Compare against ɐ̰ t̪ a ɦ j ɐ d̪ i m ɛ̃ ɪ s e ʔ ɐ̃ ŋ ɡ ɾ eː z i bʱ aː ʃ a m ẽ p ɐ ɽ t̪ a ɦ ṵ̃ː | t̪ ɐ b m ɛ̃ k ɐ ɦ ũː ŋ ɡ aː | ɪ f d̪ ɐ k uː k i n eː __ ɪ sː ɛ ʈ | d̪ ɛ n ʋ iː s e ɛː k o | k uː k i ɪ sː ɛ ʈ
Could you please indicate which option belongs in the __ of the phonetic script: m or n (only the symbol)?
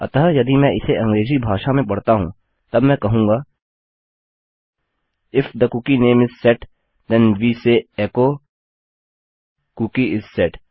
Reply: m